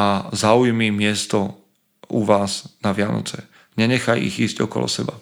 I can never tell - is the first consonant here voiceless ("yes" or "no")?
no